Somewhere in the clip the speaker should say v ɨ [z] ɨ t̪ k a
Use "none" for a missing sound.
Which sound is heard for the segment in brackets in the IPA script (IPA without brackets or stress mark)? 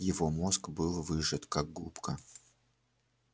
ʐ